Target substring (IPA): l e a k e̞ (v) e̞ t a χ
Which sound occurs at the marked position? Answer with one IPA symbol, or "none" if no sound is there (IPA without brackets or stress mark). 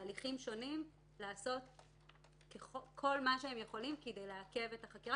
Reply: v